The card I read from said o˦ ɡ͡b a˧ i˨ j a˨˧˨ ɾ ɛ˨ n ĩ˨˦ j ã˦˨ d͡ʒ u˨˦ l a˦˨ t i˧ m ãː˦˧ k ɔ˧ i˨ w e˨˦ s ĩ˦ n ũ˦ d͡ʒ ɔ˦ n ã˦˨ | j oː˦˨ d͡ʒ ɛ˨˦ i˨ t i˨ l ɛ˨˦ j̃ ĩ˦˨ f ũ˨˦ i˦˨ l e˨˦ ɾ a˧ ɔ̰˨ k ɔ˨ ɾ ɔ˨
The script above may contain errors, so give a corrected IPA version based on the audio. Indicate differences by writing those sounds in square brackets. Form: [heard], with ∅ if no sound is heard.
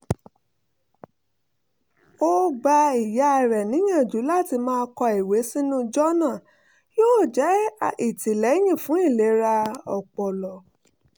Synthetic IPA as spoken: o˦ ɡ͡b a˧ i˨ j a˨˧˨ ɾ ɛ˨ n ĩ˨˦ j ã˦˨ d͡ʒ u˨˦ l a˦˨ t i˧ m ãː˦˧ k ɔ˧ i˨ w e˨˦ s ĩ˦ n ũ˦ d͡ʒ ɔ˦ n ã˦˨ | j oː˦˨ d͡ʒ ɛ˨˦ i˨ t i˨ l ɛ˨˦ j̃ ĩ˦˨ f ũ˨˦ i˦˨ l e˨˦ ɾ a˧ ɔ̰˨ [k͡p] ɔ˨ [l] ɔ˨